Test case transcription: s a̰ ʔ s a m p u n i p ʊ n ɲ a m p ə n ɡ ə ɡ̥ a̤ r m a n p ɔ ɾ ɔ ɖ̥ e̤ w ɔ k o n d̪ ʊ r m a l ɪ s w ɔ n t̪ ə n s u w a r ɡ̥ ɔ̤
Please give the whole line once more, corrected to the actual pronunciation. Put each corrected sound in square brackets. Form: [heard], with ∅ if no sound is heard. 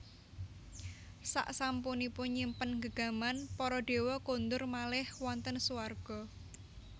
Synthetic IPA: s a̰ ʔ s a m p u n i p ʊ n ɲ [i] m p ə n ɡ ə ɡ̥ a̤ [∅] m a n p ɔ ɾ ɔ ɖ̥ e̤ w ɔ k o n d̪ ʊ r m a l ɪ [h] w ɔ n t̪ ə n s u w a r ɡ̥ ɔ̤